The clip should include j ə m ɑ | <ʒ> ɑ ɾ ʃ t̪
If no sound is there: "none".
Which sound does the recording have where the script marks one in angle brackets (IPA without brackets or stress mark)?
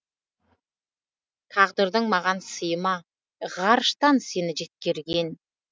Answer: ʁ